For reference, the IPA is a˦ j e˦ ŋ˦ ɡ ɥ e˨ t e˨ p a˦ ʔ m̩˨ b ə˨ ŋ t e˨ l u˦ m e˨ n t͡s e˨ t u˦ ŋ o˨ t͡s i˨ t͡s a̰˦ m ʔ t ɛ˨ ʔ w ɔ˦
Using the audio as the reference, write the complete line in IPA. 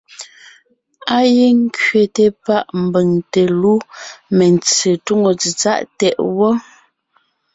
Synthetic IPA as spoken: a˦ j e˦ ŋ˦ k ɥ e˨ t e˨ p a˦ ʔ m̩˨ b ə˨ ŋ t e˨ l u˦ m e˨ n t͡s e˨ t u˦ ŋ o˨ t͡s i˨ t͡s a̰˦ ʔ t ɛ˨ ʔ w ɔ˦